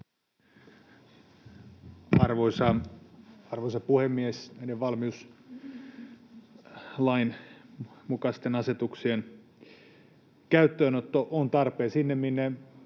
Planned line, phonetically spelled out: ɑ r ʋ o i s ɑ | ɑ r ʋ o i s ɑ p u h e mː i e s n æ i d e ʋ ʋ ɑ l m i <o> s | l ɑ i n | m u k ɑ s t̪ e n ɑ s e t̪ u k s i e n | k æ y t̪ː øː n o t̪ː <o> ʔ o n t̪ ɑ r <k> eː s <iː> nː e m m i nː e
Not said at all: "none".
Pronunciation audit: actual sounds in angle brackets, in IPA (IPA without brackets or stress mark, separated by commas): u, o, p, i